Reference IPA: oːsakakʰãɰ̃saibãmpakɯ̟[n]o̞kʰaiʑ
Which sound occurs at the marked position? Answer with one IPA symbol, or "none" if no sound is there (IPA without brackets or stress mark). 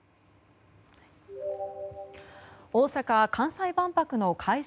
n